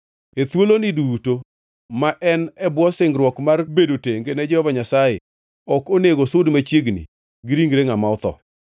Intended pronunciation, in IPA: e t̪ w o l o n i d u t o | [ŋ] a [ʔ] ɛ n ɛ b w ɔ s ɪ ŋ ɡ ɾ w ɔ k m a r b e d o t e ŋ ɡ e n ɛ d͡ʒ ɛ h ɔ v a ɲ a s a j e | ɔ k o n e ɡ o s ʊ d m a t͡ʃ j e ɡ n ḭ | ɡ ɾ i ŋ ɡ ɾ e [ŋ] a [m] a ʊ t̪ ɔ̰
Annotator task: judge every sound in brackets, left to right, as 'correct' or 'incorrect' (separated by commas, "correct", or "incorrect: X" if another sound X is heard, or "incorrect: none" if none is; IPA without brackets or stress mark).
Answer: incorrect: m, correct, correct, correct